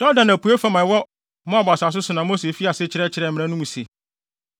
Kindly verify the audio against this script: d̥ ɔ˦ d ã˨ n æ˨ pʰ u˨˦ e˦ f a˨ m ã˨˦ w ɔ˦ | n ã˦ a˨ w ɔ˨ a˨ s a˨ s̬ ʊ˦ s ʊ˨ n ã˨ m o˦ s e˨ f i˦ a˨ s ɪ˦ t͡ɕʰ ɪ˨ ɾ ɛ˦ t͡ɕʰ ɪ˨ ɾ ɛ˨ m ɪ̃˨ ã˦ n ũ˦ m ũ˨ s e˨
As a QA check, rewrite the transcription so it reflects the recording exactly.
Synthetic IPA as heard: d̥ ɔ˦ d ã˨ n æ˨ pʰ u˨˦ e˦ f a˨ m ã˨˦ w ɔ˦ | m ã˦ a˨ b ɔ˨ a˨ s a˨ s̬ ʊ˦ s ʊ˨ n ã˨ m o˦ s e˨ f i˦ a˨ s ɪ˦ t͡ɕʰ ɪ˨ ɾ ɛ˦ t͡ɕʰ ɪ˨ ɾ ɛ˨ m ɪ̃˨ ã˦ n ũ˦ m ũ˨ s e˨